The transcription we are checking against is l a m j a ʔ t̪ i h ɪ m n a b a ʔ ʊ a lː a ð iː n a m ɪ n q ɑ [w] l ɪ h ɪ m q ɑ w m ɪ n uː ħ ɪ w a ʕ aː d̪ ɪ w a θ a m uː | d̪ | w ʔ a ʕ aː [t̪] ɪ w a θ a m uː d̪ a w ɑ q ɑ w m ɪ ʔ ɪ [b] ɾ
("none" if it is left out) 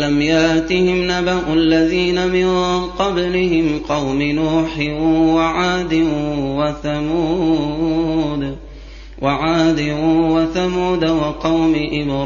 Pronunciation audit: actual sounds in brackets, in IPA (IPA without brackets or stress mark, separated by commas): b, d̪, b